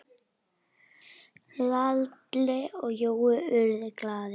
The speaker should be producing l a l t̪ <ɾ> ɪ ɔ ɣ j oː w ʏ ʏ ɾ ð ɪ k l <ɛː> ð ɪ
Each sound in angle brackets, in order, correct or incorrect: incorrect, incorrect

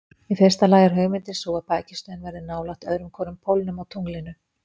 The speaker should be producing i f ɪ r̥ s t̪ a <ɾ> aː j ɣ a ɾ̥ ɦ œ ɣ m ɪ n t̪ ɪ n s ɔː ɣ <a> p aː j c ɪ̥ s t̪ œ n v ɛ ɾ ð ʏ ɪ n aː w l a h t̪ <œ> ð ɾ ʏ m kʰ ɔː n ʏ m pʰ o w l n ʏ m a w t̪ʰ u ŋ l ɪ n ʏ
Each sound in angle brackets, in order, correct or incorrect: incorrect, correct, correct

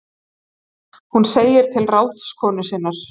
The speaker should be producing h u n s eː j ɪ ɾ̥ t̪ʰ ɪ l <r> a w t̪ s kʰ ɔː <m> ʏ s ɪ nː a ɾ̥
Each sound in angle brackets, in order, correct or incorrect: correct, incorrect

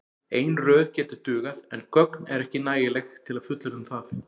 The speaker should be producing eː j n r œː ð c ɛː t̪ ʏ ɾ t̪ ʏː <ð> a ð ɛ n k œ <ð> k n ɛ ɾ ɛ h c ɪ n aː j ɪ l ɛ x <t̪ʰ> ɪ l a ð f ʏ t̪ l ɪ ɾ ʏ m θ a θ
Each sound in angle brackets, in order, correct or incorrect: incorrect, incorrect, correct

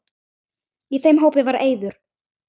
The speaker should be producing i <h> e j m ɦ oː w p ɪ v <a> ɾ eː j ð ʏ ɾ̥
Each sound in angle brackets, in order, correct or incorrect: incorrect, correct

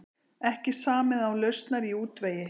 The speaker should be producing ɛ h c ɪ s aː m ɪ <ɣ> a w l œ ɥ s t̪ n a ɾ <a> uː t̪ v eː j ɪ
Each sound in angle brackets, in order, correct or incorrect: incorrect, incorrect

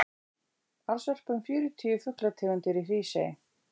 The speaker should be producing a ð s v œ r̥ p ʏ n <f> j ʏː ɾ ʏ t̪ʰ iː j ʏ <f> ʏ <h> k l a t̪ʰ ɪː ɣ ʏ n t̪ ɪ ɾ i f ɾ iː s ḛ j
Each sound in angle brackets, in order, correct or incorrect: correct, correct, correct

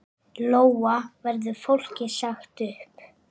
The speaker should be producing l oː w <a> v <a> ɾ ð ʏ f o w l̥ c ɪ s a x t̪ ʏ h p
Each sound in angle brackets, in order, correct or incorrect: correct, incorrect

